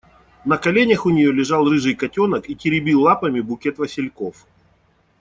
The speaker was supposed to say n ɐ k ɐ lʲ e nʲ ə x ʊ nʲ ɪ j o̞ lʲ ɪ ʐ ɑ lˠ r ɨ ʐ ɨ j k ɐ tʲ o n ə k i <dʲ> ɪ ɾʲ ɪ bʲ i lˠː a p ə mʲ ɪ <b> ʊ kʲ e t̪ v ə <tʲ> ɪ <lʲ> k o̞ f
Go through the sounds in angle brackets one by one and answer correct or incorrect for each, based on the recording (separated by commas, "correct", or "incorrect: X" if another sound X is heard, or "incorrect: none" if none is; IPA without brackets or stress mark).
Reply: incorrect: tʲ, correct, incorrect: sʲ, correct